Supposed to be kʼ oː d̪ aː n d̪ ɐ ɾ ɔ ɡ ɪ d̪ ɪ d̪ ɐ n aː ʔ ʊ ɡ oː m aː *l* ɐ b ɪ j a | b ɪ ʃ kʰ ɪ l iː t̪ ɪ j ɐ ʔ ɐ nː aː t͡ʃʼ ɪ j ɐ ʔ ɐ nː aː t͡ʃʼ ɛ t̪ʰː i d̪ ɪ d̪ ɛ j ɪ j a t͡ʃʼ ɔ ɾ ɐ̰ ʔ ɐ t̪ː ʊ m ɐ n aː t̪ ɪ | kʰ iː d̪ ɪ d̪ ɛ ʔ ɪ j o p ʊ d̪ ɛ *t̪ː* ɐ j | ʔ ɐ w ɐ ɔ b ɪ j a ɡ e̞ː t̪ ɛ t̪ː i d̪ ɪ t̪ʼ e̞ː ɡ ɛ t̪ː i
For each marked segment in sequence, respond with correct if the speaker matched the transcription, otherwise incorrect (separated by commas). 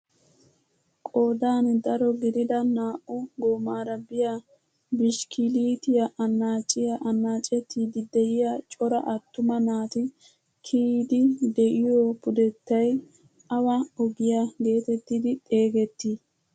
incorrect, correct